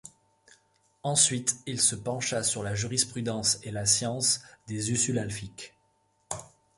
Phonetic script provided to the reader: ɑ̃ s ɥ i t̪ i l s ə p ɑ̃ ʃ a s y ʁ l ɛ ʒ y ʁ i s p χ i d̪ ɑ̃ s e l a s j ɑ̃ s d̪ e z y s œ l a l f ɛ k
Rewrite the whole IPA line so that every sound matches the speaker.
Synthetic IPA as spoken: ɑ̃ s ɥ i t̪ i l s ə p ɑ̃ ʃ a s y ʁ l a ʒ y ʁ i s p χ y d̪ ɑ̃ s e l a s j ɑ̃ s d̪ e z y s y l a l f i k